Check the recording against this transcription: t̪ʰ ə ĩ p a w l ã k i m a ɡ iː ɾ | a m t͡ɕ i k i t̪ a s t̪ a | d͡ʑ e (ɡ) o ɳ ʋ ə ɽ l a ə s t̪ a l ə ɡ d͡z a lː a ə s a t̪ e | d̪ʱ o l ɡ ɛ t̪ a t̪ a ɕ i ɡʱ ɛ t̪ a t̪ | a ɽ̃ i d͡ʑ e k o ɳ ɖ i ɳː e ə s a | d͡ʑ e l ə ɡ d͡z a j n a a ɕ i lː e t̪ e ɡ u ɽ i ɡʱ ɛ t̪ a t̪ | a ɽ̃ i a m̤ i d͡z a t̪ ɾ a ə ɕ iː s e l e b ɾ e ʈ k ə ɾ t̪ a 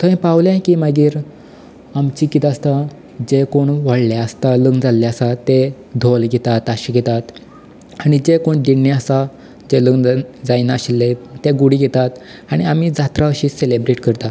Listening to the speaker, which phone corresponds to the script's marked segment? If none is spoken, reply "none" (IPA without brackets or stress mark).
k